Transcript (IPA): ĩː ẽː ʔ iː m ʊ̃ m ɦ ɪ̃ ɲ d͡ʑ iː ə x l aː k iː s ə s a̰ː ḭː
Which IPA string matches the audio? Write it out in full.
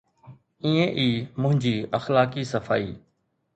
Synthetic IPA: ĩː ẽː ʔ iː m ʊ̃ ɦ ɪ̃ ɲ d͡ʑ iː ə x l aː k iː s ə f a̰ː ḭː